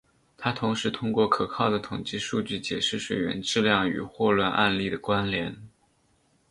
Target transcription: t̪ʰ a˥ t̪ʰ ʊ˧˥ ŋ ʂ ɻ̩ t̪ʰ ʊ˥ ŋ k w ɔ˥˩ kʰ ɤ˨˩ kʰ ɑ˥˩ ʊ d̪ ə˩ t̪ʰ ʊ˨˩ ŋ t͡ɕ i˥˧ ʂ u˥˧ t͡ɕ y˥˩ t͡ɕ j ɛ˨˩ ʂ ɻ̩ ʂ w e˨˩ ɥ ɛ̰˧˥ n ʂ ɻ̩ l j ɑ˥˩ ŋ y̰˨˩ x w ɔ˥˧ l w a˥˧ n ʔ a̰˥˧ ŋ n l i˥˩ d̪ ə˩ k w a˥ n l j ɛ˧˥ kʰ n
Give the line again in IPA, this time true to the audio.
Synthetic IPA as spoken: t̪ʰ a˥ t̪ʰ ʊ˧˥ ŋ ʂ ɻ̩ t̪ʰ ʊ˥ ŋ k w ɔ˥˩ kʰ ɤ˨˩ kʰ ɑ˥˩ ʊ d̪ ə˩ t̪ʰ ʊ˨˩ ŋ t͡ɕ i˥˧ ʂ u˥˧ t͡ɕ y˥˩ t͡ɕ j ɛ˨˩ ʂ ɻ̩ ʂ w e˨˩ ɥ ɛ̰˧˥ n ʈ͡ʂ ɻ̩ l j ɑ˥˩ ŋ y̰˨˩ x w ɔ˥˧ l w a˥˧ n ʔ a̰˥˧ n l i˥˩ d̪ ə˩ k w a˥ n l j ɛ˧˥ n

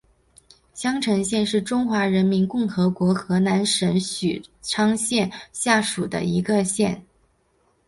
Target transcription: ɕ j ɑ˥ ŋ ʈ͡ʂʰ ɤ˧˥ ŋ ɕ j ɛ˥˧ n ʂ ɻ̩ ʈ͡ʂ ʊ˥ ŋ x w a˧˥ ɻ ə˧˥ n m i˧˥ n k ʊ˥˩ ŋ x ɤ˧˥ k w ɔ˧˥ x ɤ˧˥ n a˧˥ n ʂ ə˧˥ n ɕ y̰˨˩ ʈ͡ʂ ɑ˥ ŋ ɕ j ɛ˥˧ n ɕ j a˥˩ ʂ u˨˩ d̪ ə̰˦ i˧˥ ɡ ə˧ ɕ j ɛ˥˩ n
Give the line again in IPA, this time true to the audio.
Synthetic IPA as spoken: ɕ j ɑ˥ ŋ ʈ͡ʂʰ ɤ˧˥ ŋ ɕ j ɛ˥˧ n ʂ ɻ̩ ʈ͡ʂ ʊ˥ ŋ x w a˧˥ ɻ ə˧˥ n m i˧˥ n k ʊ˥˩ ŋ x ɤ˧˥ k w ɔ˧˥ x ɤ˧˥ n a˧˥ n ʂ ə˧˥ n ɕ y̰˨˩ ʈ͡ʂʰ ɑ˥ ŋ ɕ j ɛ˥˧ n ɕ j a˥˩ ʂ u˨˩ d̪ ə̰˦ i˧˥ ɡ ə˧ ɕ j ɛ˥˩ n

